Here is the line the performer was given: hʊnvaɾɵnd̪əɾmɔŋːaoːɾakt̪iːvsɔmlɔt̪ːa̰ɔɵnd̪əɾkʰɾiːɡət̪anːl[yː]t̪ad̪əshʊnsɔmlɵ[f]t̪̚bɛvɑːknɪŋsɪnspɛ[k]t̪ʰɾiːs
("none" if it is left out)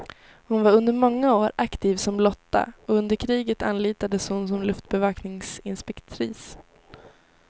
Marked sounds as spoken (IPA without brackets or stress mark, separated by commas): iː, f, k